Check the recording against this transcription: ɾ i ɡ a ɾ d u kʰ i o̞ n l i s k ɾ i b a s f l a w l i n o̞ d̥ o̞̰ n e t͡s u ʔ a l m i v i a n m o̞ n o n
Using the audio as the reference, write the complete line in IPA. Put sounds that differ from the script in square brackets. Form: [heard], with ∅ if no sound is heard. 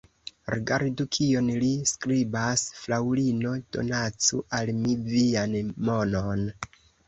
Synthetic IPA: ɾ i ɡ a ɾ d u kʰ i o̞ n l i s k ɾ i b a s f l a w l i n o̞ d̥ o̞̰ n [a] t͡s u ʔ a l m i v i a n m o̞ n o n